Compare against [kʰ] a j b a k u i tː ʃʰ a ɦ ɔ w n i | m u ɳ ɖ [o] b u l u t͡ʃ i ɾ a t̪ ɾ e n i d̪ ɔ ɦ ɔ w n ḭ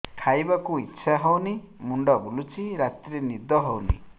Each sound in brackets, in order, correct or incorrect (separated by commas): incorrect, incorrect